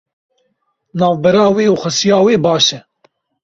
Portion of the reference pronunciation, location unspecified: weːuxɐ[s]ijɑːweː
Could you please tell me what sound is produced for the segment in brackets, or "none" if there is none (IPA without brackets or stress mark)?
s